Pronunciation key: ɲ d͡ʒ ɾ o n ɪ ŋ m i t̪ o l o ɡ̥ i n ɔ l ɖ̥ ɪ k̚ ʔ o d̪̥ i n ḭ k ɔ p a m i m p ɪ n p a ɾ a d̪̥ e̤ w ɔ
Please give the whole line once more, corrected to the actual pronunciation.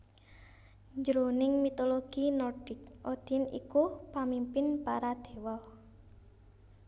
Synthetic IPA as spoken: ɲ d͡ʒ ɾ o n ɪ ŋ m i t̪ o l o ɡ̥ i n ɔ r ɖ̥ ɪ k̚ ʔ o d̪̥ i n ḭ k u p a m i m p ɪ n p a ɾ a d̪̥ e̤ w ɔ

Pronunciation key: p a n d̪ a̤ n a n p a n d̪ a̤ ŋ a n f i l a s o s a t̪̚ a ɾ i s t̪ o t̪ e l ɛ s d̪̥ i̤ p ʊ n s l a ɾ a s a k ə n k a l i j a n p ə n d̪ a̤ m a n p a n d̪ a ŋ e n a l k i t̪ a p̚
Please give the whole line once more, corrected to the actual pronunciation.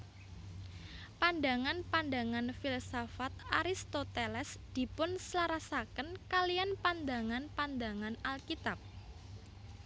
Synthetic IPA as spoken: p a n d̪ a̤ ŋ a n p a n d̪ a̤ ŋ a n f i l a s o f a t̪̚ a ɾ i s t̪ o t̪ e l ɛ s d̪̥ i̤ p ʊ n s l a ɾ a s a k ə n k a l i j a n p a n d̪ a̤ ŋ a n p a n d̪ a ŋ a n a l k i t̪ a p̚

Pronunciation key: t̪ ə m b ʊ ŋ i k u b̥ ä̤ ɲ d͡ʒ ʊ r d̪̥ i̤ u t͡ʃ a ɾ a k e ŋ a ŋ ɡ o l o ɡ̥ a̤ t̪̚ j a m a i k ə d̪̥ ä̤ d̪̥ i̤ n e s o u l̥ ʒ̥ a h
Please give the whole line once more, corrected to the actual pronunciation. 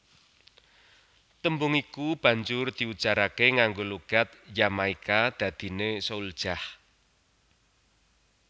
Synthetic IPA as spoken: t̪ ə m b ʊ ŋ i k u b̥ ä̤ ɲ d͡ʒ ʊ r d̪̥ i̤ u t͡ʃ a ɾ a k e ŋ a ŋ ɡ o l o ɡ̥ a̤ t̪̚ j a m a i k a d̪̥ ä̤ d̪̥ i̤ n e s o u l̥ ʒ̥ a h

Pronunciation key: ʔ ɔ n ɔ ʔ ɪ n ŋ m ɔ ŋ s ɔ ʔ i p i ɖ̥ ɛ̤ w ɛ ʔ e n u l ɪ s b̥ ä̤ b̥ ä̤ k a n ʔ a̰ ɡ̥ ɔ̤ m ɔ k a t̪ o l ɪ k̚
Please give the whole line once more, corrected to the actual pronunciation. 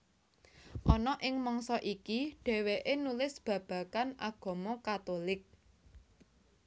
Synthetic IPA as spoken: ʔ ɔ n ɔ ʔ ɪ ŋ m ɔ ŋ s ɔ ʔ i k i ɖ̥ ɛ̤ w e ʔ e n u l ɪ s b̥ ä̤ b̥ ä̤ k a n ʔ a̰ ɡ̥ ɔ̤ m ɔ k a t̪ o l ɪ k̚

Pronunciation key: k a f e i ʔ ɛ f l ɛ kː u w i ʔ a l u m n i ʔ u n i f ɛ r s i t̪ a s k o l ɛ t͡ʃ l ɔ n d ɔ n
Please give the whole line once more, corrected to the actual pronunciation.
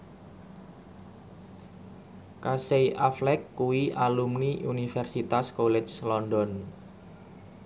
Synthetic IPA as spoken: k a s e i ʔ a f l ɛ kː u w i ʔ a l u m n i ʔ u n i f ɛ r s i t̪ a s k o l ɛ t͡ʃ l ɔ n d ɔ n

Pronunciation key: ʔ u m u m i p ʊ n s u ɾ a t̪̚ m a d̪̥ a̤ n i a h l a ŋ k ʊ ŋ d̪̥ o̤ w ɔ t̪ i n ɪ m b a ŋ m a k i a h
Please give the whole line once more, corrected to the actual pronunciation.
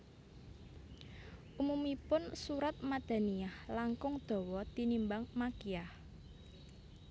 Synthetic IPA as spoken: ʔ u m u m i p ʊ n s u ɾ a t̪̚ m a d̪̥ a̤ n i a h l a ŋ k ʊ ŋ d̪̥ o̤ w ɔ t̪ i n i m b a ŋ m a k i a h

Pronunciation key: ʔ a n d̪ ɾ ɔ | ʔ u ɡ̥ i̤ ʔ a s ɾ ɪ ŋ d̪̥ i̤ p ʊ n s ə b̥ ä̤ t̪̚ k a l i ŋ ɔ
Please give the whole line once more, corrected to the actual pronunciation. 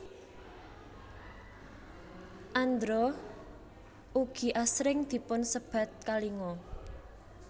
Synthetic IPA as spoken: ʔ a n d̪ ɾ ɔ | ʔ u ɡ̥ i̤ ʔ a s ɾ ɪ ŋ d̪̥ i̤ p ʊ n s ə b̥ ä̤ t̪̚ k a l i ŋ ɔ

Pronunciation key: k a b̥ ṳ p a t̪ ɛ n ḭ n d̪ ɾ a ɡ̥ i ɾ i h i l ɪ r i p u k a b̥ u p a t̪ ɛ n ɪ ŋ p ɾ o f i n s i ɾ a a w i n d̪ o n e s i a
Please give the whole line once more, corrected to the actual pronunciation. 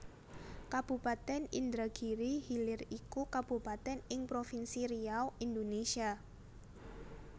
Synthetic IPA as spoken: k a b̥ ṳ p a t̪ ɛ n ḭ n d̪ ɾ a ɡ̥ i ɾ i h i l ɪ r i k u k a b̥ u p a t̪ ɛ n ɪ ŋ p ɾ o f i n s i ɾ i a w i n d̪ o n e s i a

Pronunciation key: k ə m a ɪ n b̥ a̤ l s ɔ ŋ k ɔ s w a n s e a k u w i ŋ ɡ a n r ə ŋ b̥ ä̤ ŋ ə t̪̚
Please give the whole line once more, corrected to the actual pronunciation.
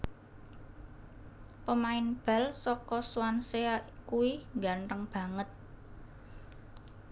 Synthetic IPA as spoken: p ə m a ɪ n b̥ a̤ l s ɔ k ɔ s w a n s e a k u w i ŋ ɡ a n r ə ŋ b̥ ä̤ ŋ ə t̪̚

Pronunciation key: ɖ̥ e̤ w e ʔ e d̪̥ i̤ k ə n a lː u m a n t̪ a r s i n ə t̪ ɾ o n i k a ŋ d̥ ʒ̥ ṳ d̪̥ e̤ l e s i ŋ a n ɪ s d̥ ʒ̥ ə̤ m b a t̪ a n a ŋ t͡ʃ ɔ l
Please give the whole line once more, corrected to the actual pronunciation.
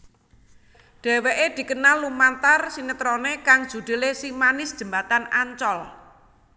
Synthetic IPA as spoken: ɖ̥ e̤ w e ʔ e d̪̥ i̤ k ə n a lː u m a n t̪ a r s i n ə t̪ ɾ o n e k a ŋ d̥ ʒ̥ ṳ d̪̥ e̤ l e s i m a n ɪ s d̥ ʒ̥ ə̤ m b a t̪ a n a ɲ t͡ʃ ɔ l

